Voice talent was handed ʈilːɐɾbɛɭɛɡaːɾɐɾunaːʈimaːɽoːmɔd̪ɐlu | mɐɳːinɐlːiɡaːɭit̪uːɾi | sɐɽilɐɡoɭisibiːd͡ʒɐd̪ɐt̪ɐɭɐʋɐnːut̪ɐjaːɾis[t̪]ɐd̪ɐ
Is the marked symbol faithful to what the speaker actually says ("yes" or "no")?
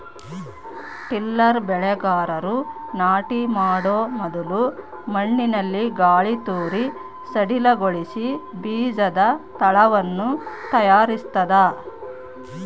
yes